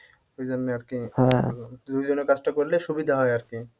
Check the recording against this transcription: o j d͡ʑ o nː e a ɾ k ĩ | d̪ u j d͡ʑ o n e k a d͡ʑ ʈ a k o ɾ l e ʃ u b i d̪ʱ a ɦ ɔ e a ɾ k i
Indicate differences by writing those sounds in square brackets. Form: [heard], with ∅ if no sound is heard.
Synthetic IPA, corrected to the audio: o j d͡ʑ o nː e a ɾ k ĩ | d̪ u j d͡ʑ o n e k a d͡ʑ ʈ a k o ɾ l e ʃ u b i d̪ʱ a ɦ ɔ e a ɾ k i